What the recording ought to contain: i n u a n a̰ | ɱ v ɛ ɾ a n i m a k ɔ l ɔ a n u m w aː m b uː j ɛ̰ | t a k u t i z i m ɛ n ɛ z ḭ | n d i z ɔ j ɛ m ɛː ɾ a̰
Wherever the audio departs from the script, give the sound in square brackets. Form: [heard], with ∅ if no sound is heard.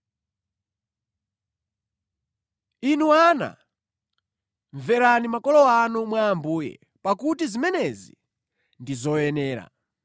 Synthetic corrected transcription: i n u a n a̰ | ɱ v ɛ ɾ a n i m a k ɔ l ɔ a n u m w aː m b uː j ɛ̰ | [p] a k u t i z i m ɛ n ɛ z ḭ | n d i z ɔ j ɛ [n] ɛː ɾ a̰